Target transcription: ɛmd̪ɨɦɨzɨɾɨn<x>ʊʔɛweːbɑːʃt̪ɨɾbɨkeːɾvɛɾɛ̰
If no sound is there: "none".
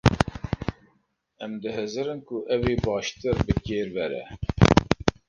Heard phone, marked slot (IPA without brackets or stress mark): k